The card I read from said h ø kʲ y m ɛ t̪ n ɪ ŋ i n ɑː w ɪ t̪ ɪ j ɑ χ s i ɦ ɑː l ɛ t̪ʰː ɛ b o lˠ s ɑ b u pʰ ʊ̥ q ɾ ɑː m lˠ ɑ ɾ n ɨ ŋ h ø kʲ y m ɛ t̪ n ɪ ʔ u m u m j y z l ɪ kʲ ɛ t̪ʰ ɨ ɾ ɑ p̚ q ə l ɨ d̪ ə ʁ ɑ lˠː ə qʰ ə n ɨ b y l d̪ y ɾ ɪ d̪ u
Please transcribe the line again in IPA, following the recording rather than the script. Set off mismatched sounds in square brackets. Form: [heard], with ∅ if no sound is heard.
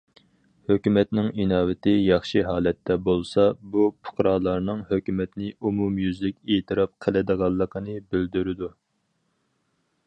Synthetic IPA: h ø kʲ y m ɛ t̪ n ɪ ŋ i n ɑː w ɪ t̪ ɪ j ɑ χ [ʃ] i ɦ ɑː l ɛ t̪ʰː ɛ b o lˠ s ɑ b u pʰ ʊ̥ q ɾ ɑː [∅] lˠ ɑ ɾ n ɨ ŋ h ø kʲ y m ɛ t̪ n ɪ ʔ u m u m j y z l ɪ kʲ [e] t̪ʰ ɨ ɾ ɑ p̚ [qʰ] ə l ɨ d̪ ə ʁ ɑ lˠː ə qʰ ə n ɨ b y l d̪ y ɾ ɪ d̪ u

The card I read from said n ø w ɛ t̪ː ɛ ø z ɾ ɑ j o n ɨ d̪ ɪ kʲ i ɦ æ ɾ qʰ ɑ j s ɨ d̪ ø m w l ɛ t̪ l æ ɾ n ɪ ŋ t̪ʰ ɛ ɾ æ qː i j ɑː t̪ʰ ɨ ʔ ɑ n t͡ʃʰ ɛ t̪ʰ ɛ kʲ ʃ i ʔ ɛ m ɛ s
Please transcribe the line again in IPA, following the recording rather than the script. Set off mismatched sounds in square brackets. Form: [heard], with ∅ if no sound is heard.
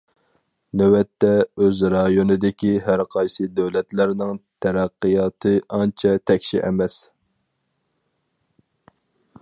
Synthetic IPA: n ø w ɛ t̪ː ɛ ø z ɾ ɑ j o n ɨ d̪ ɪ kʲ i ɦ æ ɾ qʰ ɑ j s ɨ d̪ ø [∅] w l ɛ t̪ l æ ɾ n ɪ ŋ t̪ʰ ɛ ɾ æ qː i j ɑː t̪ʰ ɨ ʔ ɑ n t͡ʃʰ ɛ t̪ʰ ɛ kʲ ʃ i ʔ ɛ m ɛ s

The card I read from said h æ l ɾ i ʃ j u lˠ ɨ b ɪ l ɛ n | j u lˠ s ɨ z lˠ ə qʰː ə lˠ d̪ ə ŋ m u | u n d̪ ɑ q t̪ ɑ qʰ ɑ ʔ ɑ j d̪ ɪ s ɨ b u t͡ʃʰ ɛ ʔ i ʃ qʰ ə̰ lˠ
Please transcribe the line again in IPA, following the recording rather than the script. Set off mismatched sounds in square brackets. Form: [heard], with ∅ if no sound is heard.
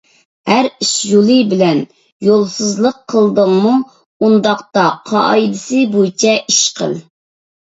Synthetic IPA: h æ [∅] ɾ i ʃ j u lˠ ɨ b ɪ l ɛ n | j [o] lˠ s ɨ z lˠ ə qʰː ə lˠ d̪ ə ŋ m u | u n d̪ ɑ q t̪ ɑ qʰ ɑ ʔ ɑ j d̪ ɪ s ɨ b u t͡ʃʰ ɛ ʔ i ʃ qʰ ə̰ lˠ

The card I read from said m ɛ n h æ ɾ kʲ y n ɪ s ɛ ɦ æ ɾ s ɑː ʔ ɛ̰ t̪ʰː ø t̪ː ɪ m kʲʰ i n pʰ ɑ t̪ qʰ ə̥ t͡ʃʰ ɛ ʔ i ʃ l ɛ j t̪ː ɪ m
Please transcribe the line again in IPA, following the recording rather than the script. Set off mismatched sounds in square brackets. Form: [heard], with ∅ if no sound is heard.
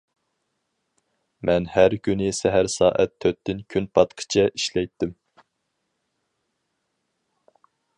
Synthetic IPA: m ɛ n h æ ɾ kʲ y n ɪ s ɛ ɦ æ ɾ s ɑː ʔ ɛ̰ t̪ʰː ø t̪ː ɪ [n] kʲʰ [y] n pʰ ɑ t̪ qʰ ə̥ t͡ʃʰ ɛ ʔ i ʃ l ɛ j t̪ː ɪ m

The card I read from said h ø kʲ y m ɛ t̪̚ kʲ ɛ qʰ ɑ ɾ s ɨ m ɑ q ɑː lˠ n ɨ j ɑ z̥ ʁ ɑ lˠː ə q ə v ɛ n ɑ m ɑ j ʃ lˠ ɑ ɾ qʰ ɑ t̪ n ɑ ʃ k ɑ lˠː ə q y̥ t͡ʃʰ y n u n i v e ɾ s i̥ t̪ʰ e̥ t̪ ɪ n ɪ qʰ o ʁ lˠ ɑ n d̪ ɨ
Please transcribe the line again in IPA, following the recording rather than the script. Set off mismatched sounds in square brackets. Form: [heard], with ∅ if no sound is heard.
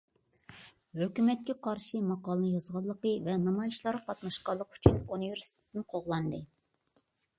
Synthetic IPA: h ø kʲ y m ɛ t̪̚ kʲ ɛ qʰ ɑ ɾ [ʃ] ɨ m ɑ q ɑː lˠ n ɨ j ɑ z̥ ʁ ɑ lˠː ə q ə v ɛ n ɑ m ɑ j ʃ lˠ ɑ ɾ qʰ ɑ t̪ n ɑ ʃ [q] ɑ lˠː ə q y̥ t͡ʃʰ y n u n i v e ɾ s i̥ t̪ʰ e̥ t̪ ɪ n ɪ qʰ o ʁ lˠ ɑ n d̪ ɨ

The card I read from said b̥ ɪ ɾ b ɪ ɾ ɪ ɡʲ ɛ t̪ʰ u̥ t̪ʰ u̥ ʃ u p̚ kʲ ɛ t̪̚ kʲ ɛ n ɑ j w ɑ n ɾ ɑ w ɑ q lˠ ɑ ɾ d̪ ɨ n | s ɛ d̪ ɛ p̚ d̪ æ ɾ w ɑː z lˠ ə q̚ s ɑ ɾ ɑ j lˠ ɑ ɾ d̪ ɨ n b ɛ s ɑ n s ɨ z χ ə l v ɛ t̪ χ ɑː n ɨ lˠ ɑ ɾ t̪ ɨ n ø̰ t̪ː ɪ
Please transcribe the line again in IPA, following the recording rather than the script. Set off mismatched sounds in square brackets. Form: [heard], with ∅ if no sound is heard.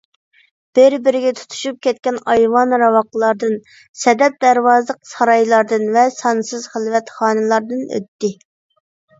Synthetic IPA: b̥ ɪ ɾ b ɪ ɾ ɪ ɡʲ ɛ t̪ʰ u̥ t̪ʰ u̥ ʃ u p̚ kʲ ɛ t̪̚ kʲ ɛ n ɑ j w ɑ n ɾ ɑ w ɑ q lˠ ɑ ɾ d̪ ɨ n | s ɛ d̪ ɛ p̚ d̪ æ ɾ w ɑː z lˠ ə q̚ s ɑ ɾ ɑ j lˠ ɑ ɾ d̪ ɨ n [v] ɛ s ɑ n s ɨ z χ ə l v ɛ t̪ χ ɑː n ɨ lˠ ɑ ɾ [d̪] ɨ n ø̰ t̪ː ɪ

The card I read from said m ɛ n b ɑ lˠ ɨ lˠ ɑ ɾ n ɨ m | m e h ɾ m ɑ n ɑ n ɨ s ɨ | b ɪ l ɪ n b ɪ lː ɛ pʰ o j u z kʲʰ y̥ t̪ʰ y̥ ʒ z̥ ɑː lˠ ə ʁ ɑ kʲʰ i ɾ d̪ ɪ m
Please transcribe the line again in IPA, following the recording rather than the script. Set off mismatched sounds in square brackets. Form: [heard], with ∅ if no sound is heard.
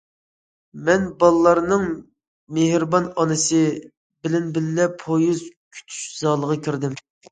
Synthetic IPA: m ɛ n b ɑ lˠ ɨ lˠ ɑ ɾ n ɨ [ŋ] | m e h ɾ [b] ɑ n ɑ n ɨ s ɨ | b ɪ l ɪ n b ɪ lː ɛ pʰ o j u z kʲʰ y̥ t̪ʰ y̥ [ʃ] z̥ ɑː lˠ ə ʁ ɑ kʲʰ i ɾ d̪ ɪ m

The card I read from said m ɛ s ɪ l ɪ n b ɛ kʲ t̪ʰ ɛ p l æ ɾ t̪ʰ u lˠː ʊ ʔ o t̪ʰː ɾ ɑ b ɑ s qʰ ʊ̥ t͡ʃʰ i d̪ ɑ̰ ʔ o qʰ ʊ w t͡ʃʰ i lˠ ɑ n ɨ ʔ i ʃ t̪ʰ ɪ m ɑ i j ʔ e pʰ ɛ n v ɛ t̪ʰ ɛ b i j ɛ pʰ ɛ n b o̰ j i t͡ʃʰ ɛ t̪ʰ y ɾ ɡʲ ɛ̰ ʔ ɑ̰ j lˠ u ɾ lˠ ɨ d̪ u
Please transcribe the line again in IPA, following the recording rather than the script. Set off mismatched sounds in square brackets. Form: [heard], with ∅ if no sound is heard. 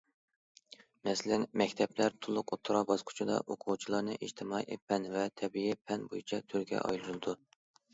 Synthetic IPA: m ɛ s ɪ l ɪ n [m] ɛ kʲ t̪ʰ ɛ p l æ ɾ t̪ʰ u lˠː ʊ [q] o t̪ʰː ɾ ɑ b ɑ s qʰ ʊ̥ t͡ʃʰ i d̪ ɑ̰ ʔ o qʰ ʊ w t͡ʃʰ i lˠ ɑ n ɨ ʔ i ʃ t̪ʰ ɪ m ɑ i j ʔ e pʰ ɛ n v ɛ t̪ʰ ɛ b i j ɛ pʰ ɛ n b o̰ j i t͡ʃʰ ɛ t̪ʰ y ɾ ɡʲ ɛ̰ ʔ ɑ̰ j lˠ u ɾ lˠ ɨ d̪ u

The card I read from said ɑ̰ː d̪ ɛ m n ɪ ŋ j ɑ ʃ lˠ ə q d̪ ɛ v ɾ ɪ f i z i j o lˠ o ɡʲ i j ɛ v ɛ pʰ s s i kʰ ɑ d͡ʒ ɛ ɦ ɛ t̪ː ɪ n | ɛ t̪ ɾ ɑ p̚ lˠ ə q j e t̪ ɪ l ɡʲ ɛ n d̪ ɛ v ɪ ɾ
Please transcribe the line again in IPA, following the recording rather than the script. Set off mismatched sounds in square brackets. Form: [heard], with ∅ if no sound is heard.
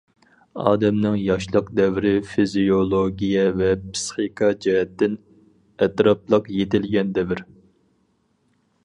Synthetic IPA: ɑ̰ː d̪ ɛ m n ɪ ŋ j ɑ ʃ lˠ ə q d̪ ɛ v ɾ ɪ f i z i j o lˠ o ɡʲ i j ɛ v ɛ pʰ s [χ] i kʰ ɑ d͡ʒ ɛ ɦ ɛ t̪ː ɪ n | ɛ t̪ ɾ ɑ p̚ lˠ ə q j e t̪ ɪ l ɡʲ ɛ n d̪ ɛ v ɪ ɾ

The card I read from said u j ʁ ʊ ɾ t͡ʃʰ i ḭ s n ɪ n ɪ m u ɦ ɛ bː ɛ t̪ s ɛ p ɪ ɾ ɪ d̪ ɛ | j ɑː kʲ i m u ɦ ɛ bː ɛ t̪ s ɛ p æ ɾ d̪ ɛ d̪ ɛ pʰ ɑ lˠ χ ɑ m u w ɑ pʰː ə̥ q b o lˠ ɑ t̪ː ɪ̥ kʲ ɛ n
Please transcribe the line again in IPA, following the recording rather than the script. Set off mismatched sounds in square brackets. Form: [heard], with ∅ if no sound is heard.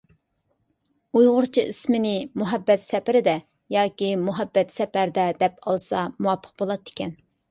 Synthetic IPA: u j ʁ ʊ ɾ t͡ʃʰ i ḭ s [m] ɪ n ɪ m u ɦ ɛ bː ɛ t̪ s ɛ p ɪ ɾ ɪ d̪ ɛ | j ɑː kʲ i m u ɦ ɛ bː ɛ t̪ s ɛ p æ ɾ d̪ ɛ d̪ ɛ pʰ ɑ lˠ [s] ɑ m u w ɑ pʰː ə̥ q b o lˠ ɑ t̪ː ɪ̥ kʲ ɛ n

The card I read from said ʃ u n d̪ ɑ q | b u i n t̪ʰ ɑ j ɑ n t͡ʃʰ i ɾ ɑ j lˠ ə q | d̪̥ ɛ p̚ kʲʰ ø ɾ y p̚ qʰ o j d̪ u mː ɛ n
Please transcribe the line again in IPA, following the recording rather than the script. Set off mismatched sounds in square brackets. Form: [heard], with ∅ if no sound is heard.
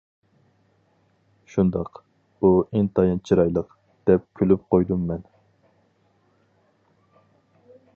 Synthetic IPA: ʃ u n d̪ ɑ q | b u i n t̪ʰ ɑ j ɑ n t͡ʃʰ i ɾ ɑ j lˠ ə q | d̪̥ ɛ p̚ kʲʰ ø [l] y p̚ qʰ o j d̪ u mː ɛ n

